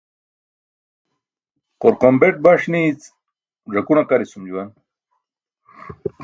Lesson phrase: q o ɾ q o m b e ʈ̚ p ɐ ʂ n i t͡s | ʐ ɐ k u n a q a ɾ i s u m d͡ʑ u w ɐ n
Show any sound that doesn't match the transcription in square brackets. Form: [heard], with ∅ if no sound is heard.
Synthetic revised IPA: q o ɾ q o m b e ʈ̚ [b] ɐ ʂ n i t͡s | ʐ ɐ k u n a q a ɾ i s u m d͡ʑ u w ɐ n